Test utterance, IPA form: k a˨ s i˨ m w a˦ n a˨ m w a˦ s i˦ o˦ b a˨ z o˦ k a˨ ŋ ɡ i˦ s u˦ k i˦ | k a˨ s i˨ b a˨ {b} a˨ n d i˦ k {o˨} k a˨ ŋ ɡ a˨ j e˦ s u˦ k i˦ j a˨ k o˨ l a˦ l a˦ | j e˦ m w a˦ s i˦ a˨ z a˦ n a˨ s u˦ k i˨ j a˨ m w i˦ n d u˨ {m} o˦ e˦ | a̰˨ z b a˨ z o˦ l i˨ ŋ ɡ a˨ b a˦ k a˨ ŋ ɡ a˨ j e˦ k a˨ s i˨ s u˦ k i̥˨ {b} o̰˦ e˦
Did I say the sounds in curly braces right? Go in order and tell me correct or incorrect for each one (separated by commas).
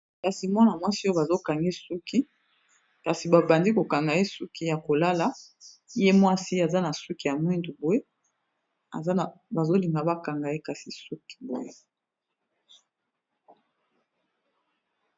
correct, correct, incorrect, correct